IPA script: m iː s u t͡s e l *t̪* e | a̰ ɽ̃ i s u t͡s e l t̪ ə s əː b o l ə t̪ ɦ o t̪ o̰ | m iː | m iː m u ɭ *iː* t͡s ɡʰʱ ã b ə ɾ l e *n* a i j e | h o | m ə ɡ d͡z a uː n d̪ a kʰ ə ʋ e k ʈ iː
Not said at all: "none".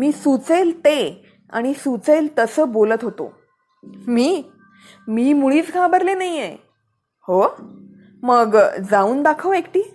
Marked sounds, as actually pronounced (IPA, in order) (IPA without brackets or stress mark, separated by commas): t̪, iː, n